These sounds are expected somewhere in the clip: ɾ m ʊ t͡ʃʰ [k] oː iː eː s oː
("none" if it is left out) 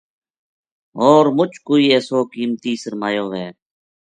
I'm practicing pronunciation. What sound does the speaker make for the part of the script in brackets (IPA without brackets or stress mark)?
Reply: k